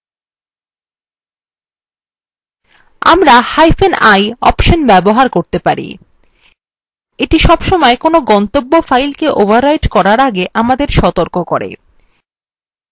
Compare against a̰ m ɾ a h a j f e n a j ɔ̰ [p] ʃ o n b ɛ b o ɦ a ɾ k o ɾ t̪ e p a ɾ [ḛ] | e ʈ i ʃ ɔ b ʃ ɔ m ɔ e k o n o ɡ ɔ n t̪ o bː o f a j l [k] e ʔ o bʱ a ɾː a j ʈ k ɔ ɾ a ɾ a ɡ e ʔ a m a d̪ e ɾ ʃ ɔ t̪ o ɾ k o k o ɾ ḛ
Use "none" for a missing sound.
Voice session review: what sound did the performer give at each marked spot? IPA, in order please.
p, ḭ, k

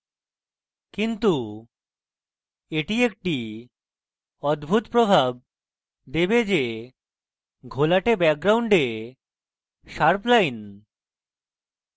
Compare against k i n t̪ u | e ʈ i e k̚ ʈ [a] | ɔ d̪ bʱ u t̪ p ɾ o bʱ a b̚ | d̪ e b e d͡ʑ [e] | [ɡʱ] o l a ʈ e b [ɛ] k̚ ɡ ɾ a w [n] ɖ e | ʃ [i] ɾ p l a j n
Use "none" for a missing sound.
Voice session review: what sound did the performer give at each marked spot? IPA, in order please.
i, e, ɡʱ, ɛ, ɳ, a

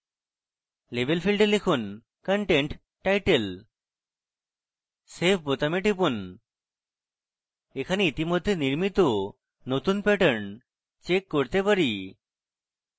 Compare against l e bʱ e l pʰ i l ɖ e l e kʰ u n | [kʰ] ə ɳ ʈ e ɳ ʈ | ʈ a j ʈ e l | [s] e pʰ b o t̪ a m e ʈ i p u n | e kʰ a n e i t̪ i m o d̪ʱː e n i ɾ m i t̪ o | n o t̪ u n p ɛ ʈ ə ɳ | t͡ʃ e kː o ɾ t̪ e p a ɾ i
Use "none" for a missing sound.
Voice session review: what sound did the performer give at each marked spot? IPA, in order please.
k, s

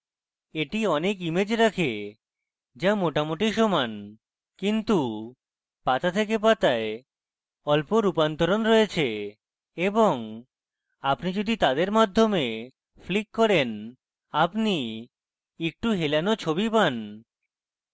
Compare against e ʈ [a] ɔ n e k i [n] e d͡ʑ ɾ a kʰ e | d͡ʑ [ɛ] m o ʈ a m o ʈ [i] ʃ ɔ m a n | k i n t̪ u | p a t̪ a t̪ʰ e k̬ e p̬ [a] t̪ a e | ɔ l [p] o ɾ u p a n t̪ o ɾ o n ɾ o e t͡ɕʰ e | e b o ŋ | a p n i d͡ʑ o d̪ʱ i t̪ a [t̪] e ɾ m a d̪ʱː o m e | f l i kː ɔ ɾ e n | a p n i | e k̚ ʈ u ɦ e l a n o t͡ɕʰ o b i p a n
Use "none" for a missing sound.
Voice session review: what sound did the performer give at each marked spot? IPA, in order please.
i, m, a, i, a, p, d̪

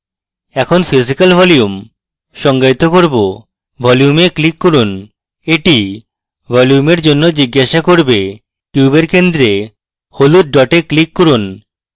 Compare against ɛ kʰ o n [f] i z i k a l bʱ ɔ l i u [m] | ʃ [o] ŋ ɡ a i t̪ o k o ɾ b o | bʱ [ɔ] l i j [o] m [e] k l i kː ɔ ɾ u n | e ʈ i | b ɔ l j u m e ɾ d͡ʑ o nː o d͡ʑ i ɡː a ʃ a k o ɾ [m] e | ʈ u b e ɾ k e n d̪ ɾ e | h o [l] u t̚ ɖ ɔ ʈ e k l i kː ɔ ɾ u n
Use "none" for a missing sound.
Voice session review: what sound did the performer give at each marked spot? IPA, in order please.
f, m, ɔ, ɔ, u, e, b, l

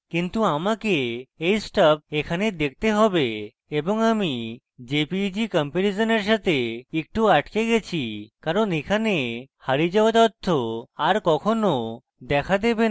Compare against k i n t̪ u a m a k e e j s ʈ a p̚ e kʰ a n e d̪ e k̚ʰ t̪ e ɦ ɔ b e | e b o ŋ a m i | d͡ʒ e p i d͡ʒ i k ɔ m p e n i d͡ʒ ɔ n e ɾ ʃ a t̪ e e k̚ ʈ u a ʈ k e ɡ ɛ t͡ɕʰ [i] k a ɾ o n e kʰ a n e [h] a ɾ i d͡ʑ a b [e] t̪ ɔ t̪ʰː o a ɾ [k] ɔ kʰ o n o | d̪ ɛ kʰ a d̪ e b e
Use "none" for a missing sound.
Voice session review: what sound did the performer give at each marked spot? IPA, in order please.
i, h, a, k

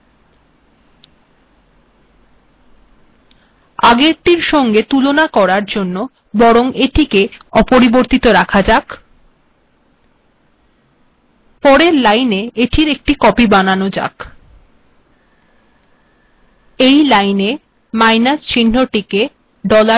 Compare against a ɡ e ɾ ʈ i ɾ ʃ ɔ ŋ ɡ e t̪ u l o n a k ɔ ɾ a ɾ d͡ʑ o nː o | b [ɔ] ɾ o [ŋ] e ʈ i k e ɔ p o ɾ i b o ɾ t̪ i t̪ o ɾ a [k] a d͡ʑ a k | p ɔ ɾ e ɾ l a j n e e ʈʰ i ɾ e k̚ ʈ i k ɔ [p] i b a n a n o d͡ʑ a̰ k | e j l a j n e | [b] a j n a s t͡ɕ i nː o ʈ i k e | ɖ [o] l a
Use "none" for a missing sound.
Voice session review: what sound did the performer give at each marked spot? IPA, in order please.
ɔ, ŋ, kʰ, p, m, ɔ

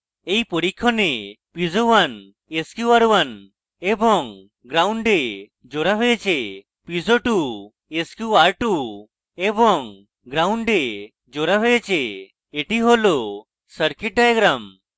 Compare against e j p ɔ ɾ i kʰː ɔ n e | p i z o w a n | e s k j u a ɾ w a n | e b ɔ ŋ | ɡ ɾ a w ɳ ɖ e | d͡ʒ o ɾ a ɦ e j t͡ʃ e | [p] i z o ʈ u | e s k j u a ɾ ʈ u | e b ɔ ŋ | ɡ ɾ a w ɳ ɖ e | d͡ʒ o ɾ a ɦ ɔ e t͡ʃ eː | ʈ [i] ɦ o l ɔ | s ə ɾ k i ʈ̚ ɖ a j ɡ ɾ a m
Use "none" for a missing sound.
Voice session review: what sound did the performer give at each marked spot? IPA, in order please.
p, i

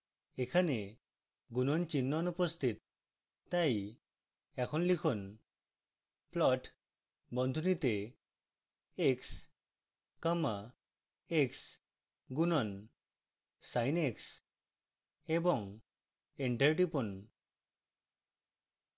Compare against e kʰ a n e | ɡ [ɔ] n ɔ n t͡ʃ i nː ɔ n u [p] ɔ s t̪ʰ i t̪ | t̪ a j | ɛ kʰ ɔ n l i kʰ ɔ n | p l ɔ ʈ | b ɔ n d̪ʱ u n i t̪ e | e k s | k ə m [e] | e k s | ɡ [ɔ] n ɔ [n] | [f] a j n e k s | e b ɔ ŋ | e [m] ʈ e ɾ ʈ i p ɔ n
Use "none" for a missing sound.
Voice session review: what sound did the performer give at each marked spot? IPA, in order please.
u, p, a, u, n, s, ɳ

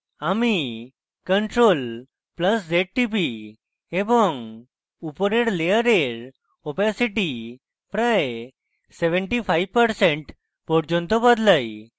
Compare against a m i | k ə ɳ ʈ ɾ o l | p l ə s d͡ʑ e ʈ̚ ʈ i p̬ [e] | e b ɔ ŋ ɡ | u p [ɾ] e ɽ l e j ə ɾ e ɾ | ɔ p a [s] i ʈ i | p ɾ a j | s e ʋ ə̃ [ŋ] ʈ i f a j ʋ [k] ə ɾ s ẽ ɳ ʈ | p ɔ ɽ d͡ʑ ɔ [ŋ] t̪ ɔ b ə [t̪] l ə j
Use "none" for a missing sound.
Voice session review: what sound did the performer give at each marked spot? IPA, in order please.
i, ɾ, s, ɳ, p, n, d̪

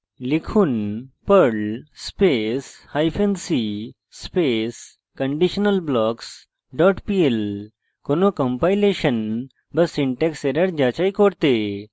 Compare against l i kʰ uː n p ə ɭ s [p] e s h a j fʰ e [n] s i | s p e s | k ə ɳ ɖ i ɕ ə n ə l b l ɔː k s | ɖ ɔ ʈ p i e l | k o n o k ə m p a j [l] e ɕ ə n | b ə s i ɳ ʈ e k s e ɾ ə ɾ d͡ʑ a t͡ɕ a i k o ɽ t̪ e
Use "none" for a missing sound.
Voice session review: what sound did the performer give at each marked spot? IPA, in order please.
p, n, l

